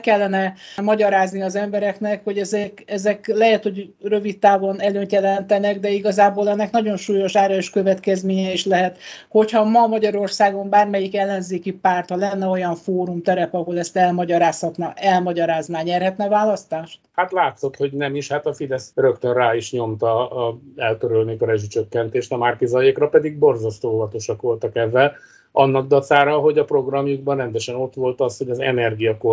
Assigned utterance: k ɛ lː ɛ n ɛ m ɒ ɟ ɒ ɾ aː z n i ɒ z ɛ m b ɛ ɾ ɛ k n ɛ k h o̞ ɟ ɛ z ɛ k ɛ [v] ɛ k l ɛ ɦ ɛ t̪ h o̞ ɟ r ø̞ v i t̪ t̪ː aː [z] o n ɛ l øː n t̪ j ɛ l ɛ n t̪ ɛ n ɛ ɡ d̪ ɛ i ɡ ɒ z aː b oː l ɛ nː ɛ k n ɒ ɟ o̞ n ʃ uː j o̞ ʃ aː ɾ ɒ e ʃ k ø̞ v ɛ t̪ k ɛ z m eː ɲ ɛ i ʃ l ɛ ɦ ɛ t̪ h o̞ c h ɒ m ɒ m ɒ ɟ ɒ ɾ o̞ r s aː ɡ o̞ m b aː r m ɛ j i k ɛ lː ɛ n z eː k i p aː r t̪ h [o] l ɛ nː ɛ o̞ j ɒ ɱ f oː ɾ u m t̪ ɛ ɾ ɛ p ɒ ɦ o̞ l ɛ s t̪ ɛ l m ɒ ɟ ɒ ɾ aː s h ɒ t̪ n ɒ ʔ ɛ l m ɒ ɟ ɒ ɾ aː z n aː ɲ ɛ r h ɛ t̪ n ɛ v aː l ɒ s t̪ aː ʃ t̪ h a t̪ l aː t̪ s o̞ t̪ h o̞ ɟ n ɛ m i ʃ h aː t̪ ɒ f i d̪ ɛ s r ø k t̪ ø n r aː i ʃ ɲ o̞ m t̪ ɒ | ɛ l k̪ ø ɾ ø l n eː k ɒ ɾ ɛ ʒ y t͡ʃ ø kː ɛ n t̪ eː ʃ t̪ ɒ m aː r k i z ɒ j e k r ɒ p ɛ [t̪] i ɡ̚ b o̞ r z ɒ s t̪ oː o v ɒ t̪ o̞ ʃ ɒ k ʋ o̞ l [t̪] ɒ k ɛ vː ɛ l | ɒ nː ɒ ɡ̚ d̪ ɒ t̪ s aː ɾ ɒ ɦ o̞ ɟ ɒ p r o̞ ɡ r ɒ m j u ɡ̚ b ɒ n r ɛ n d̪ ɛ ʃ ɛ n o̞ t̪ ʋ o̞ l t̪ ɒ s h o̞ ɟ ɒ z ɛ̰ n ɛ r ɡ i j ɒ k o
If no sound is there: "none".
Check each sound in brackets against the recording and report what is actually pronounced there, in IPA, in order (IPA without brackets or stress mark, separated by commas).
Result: z, v, ɒ, d̪, t̪